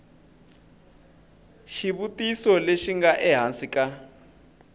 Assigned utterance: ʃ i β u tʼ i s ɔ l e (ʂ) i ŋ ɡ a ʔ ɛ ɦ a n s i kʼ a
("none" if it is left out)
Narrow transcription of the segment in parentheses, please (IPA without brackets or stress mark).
ʃ